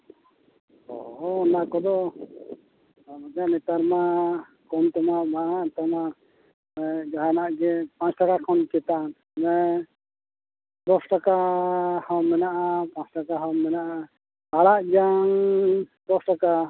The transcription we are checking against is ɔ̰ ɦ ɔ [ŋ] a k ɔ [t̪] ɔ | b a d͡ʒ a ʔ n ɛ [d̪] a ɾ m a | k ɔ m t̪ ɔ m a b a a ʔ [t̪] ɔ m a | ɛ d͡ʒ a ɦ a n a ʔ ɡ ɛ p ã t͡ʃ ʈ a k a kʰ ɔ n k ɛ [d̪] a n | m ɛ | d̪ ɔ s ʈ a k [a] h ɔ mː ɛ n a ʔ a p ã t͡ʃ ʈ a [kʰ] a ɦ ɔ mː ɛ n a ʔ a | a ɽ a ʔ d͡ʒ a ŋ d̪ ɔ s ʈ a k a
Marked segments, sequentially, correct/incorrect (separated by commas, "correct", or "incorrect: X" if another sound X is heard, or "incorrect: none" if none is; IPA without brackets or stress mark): incorrect: n, incorrect: d̪, incorrect: t̪, correct, incorrect: t̪, correct, incorrect: k